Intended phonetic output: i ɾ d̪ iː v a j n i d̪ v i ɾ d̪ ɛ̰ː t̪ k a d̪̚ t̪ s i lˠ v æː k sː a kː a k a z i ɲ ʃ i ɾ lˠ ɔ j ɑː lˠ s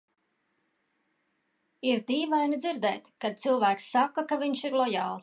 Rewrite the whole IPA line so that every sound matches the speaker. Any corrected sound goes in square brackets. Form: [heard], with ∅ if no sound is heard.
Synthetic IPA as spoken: i ɾ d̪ iː v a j n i d̪ [z] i ɾ d̪ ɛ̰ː t̪ k a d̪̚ t̪ s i lˠ v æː k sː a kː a k a [v] i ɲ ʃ i ɾ lˠ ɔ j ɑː lˠ s